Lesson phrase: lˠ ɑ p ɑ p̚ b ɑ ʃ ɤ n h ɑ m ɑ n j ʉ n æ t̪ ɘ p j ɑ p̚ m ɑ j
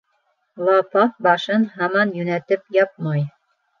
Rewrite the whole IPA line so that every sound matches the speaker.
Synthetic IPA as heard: lˠ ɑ p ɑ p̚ b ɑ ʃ ɤ n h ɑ m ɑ n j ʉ n æ t̪ ɘ p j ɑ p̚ m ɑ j